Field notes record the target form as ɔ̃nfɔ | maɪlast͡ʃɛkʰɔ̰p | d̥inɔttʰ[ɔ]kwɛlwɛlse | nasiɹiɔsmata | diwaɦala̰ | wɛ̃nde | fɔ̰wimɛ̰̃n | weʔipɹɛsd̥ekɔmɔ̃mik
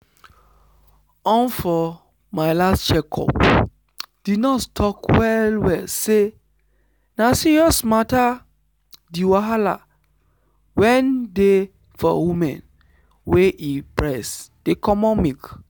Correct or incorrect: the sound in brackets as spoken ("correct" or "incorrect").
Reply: correct